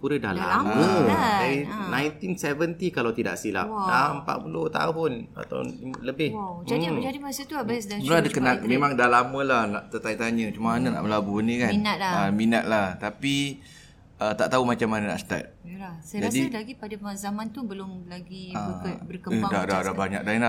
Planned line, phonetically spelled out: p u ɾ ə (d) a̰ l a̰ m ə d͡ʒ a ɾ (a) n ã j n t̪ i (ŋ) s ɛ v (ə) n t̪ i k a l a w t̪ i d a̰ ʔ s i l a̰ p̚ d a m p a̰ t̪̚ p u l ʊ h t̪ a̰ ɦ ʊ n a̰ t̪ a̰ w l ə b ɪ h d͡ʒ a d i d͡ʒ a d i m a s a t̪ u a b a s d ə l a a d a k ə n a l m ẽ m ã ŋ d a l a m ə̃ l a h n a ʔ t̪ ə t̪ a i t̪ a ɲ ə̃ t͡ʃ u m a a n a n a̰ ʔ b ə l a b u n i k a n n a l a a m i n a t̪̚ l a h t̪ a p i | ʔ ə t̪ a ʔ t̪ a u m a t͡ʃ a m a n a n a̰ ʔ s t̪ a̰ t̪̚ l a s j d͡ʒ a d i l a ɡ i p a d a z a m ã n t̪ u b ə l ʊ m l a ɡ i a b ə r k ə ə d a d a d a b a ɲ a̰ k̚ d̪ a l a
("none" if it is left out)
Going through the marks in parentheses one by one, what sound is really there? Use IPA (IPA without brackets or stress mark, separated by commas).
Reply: d, i, n, ə